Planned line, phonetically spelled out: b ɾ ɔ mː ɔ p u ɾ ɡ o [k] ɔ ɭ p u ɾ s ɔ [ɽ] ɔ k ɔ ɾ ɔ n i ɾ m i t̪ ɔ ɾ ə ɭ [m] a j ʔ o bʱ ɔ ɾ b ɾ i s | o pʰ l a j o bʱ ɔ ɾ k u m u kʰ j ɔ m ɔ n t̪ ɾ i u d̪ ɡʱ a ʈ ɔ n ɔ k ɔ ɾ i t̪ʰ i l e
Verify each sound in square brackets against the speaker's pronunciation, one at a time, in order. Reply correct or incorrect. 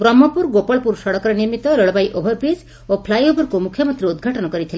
incorrect: p, correct, incorrect: b

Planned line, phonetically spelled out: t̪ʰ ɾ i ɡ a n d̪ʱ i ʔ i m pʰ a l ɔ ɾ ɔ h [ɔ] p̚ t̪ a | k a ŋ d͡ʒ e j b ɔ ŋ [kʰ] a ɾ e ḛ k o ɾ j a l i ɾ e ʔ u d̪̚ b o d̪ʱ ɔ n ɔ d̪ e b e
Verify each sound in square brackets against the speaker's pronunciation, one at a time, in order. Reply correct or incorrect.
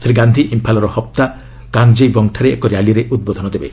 correct, incorrect: ʈʰ

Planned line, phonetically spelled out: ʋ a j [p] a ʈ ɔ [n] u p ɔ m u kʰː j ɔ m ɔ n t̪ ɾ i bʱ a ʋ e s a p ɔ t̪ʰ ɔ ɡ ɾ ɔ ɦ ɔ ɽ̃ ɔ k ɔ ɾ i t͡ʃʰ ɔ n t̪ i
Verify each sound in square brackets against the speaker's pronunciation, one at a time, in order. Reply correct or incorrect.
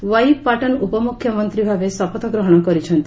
correct, correct

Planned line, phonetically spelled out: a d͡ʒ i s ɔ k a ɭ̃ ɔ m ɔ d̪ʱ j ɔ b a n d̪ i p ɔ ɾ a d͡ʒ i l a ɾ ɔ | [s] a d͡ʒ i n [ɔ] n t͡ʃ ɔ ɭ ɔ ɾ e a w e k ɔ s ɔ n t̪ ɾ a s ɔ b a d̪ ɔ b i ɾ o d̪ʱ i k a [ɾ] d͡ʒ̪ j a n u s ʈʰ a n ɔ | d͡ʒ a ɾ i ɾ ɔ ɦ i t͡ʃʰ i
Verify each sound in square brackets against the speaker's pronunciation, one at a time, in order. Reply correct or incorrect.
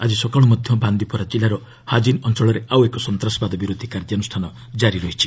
incorrect: h, correct, correct

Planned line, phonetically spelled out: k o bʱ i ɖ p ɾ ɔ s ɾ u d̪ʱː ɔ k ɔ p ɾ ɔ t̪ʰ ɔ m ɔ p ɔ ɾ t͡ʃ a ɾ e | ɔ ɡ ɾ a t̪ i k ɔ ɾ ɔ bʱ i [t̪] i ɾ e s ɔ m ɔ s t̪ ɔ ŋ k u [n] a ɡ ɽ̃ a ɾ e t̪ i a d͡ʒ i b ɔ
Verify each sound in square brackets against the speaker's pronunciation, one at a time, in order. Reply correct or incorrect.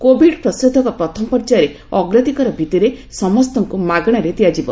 correct, incorrect: m

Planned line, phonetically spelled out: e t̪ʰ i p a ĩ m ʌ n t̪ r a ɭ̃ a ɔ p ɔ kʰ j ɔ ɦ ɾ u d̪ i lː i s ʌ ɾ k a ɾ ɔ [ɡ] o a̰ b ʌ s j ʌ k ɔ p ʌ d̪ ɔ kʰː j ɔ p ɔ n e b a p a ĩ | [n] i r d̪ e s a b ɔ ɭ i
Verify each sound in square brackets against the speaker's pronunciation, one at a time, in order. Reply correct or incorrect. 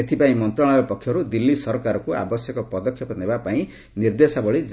incorrect: k, correct

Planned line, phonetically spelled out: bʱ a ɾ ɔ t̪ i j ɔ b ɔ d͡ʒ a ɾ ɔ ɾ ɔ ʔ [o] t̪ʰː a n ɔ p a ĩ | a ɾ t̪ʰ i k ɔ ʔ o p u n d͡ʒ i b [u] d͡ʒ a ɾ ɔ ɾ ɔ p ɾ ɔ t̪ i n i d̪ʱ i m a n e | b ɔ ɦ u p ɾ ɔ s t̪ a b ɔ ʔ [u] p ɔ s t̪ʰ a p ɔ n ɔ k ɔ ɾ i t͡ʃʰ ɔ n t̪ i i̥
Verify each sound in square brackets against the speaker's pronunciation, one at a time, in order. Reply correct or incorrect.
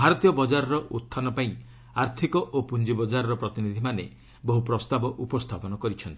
incorrect: u, incorrect: ɔ, correct

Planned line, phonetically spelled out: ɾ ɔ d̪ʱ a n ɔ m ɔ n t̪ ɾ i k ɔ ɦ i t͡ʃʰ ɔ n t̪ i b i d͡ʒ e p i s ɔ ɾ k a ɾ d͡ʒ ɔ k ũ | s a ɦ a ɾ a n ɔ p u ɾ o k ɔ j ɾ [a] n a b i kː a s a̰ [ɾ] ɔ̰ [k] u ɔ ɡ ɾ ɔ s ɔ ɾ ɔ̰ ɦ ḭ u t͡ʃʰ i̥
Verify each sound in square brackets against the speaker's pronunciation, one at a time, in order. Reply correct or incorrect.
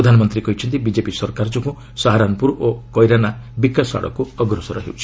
correct, incorrect: ɽ, correct

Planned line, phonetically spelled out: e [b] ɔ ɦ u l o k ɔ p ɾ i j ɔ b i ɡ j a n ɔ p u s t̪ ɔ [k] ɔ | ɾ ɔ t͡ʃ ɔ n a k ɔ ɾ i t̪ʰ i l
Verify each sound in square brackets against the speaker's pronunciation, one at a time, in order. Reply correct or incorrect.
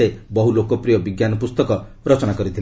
correct, correct

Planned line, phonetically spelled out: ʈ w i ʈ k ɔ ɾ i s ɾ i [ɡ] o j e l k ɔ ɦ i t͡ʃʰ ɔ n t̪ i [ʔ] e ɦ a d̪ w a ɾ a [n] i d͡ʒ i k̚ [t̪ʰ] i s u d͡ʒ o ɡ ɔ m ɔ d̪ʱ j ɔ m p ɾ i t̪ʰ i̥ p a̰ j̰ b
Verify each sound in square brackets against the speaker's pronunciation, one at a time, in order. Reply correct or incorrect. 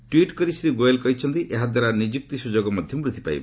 correct, correct, correct, incorrect: t̪

